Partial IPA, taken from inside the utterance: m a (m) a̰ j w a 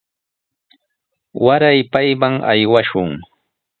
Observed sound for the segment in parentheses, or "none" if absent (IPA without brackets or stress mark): ŋ